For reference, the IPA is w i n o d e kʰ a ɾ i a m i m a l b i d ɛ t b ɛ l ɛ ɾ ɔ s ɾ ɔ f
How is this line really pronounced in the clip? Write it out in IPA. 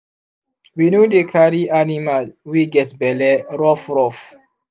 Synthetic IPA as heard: w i n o d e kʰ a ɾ i a n i m a l w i ɡ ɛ t b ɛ l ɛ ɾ ɔ f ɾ ɔ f